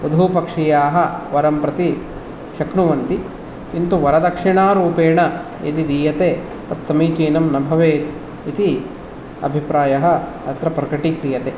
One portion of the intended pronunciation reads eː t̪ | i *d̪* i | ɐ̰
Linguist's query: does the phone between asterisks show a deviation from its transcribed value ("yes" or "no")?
yes